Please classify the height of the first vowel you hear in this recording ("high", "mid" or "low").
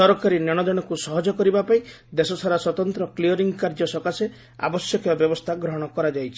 mid